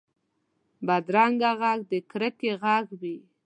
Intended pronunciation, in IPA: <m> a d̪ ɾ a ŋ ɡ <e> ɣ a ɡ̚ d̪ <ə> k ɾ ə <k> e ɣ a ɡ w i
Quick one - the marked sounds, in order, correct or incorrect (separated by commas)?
incorrect, incorrect, correct, correct